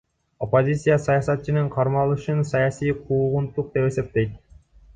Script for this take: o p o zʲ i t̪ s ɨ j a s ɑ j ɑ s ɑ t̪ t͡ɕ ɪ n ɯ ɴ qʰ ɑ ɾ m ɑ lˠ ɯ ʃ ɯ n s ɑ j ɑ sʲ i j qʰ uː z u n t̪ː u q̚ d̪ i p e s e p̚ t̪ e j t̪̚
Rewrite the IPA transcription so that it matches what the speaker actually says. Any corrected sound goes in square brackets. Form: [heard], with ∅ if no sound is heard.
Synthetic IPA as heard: o p o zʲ i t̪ s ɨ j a s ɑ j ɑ s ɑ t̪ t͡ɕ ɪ n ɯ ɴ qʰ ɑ ɾ m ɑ lˠ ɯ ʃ ɯ n s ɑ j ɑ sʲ i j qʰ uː [ʁ] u n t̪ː u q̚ d̪ [e] p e s e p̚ t̪ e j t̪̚